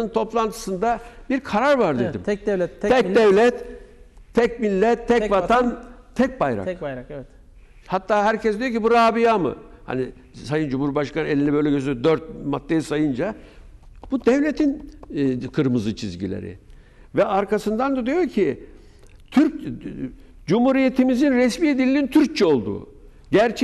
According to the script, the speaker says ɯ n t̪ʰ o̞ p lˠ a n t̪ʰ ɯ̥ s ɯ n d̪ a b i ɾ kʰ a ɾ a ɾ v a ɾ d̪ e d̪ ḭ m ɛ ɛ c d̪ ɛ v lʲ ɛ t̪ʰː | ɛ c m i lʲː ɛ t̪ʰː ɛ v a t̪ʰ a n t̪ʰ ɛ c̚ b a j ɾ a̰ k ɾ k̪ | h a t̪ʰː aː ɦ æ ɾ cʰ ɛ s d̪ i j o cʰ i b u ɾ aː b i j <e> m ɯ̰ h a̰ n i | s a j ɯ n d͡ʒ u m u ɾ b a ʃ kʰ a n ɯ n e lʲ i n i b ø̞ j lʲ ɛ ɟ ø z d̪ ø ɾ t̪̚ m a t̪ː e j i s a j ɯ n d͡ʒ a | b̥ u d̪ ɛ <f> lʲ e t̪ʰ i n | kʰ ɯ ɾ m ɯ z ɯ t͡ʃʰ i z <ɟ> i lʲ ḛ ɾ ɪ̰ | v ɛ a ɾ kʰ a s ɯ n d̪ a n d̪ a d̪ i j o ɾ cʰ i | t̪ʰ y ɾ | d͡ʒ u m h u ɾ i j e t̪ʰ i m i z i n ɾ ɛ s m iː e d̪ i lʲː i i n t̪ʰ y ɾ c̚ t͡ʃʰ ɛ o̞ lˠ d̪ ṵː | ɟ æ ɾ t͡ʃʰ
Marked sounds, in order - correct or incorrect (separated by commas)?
incorrect, incorrect, correct